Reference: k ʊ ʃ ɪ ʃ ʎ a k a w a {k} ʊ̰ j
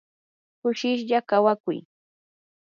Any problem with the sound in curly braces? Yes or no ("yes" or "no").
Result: no